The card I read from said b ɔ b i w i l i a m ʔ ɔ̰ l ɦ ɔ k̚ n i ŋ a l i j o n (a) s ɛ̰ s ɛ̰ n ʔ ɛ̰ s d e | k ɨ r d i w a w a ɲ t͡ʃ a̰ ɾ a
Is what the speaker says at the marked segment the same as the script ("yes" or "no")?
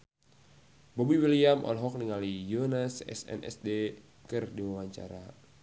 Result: yes